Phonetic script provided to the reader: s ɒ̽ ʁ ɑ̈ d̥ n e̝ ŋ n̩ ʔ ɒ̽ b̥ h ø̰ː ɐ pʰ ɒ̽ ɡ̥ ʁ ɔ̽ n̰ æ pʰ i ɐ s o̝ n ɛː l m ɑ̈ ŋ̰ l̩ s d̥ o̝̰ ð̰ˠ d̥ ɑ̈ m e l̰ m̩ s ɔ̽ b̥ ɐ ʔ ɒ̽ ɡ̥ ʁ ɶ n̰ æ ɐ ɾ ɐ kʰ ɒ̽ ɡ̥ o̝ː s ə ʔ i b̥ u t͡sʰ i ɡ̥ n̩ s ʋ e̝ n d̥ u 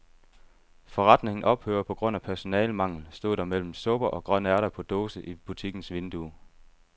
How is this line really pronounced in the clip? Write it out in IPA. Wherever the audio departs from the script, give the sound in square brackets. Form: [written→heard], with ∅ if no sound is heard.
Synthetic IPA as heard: [s→f] ɒ̽ ʁ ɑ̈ d̥ n e̝ ŋ n̩ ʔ ɒ̽ b̥ h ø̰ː ɐ pʰ ɒ̽ ɡ̥ ʁ ɔ̽ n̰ æ pʰ [i→æ] ɐ s o̝ n ɛː l m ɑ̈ ŋ̰ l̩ s d̥ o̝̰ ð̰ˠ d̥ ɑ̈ m e l̰ m̩ s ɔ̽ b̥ ɐ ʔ ɒ̽ ɡ̥ ʁ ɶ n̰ æ ɐ ɾ ɐ [kʰ→pʰ] ɒ̽ [ɡ̥→d̥] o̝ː s ə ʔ i b̥ u t͡sʰ i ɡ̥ n̩ s ʋ e̝ n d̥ u